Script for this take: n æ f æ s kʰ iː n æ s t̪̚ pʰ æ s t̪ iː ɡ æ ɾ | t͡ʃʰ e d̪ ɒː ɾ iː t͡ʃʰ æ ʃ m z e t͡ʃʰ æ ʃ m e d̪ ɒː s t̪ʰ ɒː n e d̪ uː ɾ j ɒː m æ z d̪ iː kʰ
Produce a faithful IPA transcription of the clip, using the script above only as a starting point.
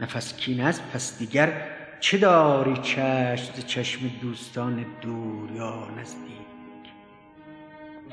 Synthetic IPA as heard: n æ f æ s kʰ iː n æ s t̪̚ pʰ æ s d̪ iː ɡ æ ɾ | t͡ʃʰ e d̪ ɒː ɾ iː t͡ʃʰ æ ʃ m z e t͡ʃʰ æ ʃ m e d̪ uː s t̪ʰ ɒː n e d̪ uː ɾ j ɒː n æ z d̪ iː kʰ